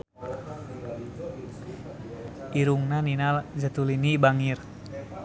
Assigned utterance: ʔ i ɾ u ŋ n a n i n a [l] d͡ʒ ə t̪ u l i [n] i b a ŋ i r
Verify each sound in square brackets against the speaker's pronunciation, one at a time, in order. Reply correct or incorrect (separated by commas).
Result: correct, correct